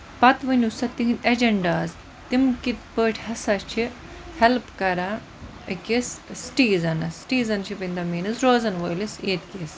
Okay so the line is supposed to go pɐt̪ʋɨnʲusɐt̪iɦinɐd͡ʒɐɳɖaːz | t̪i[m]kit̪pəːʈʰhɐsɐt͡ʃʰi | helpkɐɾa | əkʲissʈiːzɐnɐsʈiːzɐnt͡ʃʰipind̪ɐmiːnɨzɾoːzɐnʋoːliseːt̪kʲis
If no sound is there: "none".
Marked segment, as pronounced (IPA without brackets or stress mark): m